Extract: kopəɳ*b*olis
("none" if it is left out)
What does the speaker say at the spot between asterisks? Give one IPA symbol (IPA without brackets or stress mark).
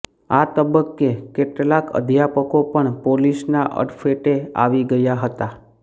p